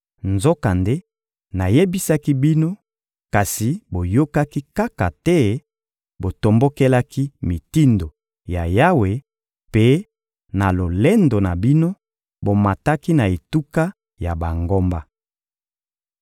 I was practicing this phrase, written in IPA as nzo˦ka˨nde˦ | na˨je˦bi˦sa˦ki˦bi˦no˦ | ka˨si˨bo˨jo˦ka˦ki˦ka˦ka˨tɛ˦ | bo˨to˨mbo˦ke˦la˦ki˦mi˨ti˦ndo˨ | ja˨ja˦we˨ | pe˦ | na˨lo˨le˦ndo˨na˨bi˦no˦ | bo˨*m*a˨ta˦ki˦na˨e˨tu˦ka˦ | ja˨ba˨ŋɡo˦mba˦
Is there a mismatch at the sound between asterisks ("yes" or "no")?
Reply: no